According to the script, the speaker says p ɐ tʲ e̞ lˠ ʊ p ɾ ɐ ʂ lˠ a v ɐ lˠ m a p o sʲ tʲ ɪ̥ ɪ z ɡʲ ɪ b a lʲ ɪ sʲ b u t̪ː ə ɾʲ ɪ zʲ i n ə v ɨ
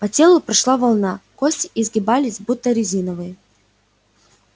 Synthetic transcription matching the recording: p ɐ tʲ e̞ lˠ ʊ p ɾ ɐ ʂ lˠ a v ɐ lˠ n a k o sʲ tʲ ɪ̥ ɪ z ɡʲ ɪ b a lʲ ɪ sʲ b u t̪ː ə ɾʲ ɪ zʲ i n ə v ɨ